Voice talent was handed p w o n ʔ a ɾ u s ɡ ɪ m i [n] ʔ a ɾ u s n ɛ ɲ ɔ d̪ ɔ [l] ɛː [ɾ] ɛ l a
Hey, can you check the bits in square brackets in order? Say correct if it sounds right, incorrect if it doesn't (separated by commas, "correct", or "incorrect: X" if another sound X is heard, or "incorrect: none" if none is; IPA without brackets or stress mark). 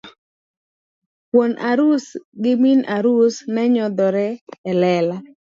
correct, incorrect: ɾ, incorrect: l